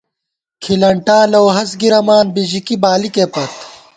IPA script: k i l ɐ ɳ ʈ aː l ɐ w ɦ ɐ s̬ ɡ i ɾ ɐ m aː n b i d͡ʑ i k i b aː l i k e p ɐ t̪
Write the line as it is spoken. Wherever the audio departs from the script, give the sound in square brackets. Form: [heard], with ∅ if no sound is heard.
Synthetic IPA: [kʰ] i l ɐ ɳ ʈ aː l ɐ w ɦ ɐ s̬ ɡ i ɾ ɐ m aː n b i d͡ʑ i k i b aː l i k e p ɐ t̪